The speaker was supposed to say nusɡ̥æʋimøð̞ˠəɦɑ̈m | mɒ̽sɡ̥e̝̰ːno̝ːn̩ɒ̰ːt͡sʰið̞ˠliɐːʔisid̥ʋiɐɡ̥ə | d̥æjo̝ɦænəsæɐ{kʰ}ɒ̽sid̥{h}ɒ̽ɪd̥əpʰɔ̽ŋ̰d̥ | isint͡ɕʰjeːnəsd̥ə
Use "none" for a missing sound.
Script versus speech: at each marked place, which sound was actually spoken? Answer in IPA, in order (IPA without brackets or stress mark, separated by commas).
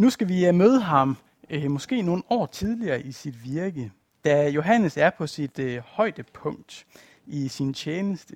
pʰ, h